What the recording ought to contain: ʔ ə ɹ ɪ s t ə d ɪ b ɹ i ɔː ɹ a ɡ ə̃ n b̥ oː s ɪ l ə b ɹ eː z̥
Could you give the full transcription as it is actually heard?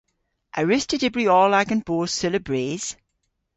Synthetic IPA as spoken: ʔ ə ɹ ɪ s t ə d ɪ b ɹ i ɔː l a ɡ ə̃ n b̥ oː s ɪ l ə b ɹ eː z̥